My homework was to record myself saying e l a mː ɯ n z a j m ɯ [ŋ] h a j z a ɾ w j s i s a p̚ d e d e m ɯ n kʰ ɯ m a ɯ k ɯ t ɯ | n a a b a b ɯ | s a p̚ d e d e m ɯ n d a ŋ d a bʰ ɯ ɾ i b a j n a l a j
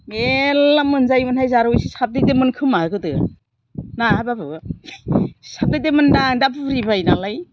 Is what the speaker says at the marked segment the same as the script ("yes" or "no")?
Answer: no